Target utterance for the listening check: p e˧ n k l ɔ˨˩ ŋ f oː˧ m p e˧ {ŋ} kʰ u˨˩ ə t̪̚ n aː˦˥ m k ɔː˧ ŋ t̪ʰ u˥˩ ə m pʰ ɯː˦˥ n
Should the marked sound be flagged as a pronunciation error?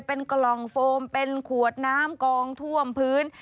yes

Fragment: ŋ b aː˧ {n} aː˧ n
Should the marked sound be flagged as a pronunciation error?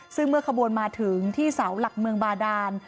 yes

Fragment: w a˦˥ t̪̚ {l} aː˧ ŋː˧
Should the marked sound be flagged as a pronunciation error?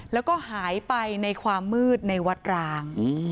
yes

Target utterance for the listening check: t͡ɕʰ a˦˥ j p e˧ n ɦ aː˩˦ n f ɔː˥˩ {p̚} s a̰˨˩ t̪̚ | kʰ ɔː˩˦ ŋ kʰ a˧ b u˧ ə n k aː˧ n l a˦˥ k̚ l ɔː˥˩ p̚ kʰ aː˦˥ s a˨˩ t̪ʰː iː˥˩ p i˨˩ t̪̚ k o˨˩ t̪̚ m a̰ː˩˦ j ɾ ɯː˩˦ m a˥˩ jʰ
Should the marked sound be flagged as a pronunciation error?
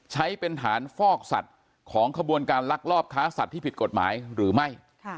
yes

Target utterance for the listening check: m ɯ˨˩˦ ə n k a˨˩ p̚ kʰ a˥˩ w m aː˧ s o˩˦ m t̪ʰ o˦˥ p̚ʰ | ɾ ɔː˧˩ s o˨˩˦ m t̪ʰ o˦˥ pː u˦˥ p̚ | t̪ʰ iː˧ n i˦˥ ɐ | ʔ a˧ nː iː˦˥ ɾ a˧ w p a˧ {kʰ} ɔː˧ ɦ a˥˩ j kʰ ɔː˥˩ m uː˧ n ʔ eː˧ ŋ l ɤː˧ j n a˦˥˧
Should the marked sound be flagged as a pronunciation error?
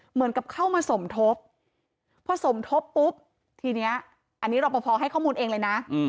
yes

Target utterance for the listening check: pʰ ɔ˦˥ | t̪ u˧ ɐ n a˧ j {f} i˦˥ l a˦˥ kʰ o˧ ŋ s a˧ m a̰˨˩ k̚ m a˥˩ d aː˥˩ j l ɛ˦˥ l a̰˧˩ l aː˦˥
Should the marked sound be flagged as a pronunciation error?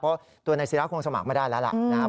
yes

